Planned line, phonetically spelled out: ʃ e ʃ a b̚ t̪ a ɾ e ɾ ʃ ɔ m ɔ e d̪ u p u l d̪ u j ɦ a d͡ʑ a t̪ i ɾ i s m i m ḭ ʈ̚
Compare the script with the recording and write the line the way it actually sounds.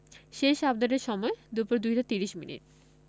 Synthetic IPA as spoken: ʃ e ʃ a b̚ d̪ a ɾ e ɾ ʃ ɔ m ɔ e d̪ u p u ɾ d̪ u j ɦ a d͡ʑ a t̪ i ɾ i ʃ m i n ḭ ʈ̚